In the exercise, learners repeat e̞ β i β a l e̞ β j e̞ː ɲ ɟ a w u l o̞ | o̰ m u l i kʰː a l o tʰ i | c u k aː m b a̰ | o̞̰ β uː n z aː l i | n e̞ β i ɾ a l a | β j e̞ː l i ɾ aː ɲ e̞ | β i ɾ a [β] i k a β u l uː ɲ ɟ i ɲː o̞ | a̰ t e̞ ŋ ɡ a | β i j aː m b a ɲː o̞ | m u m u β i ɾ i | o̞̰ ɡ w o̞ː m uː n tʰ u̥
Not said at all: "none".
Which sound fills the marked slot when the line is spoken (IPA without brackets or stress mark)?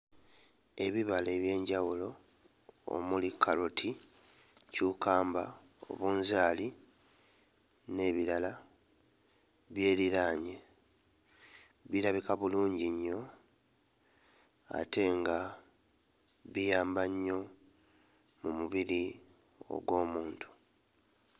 β